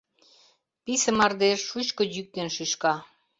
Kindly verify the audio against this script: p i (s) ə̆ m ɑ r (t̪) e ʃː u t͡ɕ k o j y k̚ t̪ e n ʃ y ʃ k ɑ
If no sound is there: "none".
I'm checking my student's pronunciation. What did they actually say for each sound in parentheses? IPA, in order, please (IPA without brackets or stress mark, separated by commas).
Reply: s, d̪